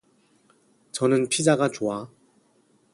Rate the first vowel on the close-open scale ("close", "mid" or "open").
mid